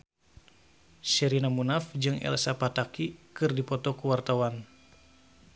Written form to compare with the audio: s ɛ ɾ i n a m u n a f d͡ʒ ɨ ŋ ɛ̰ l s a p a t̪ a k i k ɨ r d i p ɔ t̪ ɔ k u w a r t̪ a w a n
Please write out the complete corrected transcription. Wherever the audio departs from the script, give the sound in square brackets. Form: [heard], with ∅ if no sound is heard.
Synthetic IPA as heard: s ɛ ɾ i n a m u n a f d͡ʒ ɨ ŋ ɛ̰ l s a p a t̪ a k i k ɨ r d i p ɔ t̪ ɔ k u w a r t̪ a w a n